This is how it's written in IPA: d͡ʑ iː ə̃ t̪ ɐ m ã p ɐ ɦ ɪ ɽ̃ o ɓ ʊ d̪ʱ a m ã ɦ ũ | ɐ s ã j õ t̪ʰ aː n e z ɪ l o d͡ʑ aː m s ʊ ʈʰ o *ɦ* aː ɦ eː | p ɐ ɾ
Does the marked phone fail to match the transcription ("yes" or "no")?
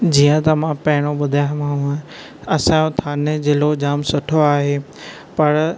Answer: yes